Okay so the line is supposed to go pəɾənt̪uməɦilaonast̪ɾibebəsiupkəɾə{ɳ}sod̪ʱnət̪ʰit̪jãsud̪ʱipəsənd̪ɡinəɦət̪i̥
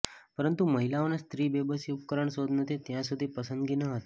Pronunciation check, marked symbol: correct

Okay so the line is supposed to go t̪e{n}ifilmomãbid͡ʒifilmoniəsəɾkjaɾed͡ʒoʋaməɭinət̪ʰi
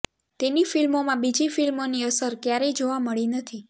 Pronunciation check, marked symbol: correct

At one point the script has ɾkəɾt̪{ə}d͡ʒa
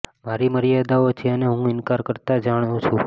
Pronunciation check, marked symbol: incorrect: a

